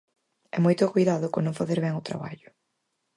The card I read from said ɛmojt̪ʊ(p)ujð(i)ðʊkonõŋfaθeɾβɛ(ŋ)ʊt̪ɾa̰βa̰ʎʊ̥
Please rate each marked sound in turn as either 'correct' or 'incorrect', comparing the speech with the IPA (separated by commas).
incorrect, incorrect, correct